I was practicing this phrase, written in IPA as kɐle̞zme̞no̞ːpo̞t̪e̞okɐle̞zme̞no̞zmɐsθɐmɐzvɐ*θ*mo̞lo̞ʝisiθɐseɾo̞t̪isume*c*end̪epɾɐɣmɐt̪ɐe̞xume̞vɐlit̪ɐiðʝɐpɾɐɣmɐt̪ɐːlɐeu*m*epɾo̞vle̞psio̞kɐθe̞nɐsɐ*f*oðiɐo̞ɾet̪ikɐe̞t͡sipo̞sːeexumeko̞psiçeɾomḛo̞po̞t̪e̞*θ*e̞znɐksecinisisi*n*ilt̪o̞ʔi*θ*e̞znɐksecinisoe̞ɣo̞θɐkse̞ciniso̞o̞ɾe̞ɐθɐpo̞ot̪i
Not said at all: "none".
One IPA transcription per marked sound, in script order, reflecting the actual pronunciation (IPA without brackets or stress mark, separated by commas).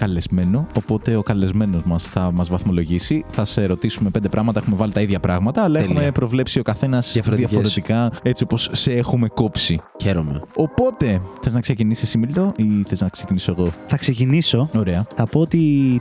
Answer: θ, p, m, f, θ, m, θ